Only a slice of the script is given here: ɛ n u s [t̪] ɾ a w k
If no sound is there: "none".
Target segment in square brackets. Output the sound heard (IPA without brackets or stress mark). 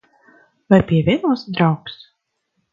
d̪